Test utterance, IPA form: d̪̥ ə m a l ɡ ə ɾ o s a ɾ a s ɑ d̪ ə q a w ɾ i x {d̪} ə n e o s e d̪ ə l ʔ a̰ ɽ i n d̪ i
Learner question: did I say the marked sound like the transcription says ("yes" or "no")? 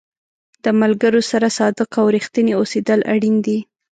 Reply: no